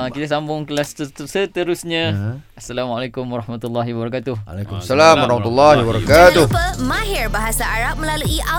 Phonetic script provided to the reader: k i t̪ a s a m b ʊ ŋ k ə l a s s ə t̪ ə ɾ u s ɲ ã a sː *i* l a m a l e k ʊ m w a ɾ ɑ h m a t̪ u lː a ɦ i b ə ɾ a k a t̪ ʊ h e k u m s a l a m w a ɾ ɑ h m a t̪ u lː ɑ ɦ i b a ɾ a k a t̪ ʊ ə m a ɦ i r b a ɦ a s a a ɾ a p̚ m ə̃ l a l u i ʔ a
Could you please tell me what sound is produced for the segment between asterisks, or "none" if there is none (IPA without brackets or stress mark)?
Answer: a